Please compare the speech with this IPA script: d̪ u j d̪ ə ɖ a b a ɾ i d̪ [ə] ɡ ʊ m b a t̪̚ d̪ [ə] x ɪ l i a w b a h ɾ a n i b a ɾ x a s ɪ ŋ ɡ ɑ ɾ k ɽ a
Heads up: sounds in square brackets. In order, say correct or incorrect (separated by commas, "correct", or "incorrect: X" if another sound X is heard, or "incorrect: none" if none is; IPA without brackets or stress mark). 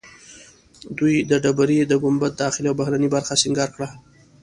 correct, incorrect: ɑ